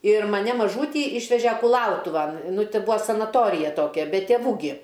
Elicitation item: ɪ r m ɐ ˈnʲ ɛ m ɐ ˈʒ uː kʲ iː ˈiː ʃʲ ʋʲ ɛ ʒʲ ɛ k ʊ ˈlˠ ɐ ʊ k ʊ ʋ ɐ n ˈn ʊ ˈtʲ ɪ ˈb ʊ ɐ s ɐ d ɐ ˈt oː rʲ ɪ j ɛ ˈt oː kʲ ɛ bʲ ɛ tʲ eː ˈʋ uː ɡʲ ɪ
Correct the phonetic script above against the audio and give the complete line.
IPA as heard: ɪ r m ɐ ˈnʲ ɛ m ɐ ˈʒ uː tʲ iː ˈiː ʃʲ ʋʲ ɛ ʒʲ ɛ k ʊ ˈlˠ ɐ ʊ t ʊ ʋ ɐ n ˈn ʊ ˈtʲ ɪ ˈb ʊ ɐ s ɐ n ɐ ˈt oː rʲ ɪ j ɛ ˈt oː kʲ ɛ bʲ ɛ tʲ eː ˈʋ uː ɡʲ ɪ